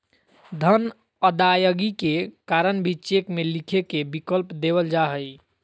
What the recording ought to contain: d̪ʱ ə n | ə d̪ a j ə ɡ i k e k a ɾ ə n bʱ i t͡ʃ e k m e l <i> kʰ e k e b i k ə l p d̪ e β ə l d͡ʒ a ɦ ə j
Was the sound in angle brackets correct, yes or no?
yes